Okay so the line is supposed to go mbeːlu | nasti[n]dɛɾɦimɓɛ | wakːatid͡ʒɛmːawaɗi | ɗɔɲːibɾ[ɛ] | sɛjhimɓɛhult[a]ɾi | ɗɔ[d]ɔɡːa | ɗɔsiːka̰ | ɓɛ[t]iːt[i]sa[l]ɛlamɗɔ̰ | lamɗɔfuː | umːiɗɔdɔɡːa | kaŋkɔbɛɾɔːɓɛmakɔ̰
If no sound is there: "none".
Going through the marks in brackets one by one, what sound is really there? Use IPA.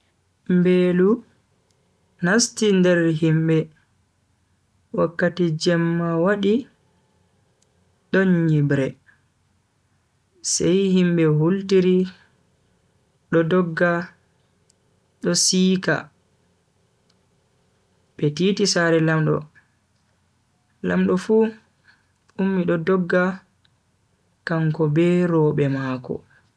n, ɛ, i, d, t, i, ɾ

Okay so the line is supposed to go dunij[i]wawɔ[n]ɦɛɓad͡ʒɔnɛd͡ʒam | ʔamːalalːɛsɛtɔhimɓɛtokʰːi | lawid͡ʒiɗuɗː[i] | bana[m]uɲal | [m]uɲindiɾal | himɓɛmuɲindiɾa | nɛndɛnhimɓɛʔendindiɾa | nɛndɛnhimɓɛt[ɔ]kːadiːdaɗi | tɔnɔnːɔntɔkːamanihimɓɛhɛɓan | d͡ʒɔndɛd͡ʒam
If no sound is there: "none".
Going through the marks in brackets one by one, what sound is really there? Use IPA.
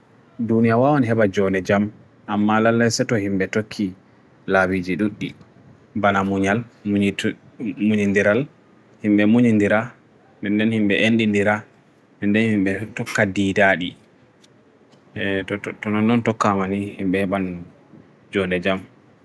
a, n, i, m, m, ɔ

